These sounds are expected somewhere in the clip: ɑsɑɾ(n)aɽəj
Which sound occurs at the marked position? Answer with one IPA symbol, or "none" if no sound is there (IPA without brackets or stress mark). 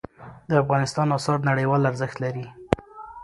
n